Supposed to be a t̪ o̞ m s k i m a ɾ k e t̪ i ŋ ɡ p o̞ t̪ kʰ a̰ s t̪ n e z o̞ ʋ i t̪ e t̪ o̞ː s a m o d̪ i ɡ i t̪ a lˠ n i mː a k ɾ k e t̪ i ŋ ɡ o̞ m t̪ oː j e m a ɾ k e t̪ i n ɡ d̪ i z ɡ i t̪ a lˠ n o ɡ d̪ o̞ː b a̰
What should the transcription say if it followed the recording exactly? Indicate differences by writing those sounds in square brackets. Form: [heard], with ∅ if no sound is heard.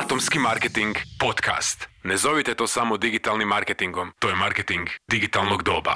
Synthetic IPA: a t̪ o̞ m s k i m a ɾ k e t̪ i ŋ ɡ p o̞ t̪ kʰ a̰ s t̪ n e z o̞ ʋ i t̪ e t̪ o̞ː s a m o d̪ i ɡ i t̪ a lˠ n i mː a [∅] ɾ k e t̪ i ŋ ɡ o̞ m t̪ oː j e m a ɾ k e t̪ i [ŋ] ɡ d̪ i [∅] ɡ i t̪ a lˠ n o ɡ d̪ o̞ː b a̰